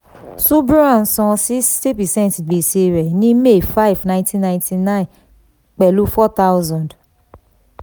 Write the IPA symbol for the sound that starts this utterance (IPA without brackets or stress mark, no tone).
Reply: s